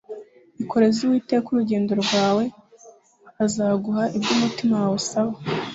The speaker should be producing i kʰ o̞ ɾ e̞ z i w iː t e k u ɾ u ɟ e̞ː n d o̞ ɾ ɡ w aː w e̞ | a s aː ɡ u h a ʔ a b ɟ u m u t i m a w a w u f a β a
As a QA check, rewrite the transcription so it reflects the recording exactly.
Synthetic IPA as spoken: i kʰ o̞ ɾ e̞ z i w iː t e k u ɾ u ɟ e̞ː n d o̞ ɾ ɡ w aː w e̞ | a z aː ɡ u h a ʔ i b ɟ u m u t i m a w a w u s a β a